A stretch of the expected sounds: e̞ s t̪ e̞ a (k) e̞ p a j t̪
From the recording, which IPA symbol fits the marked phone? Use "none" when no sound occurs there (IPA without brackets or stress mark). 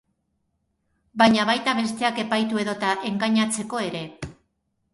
k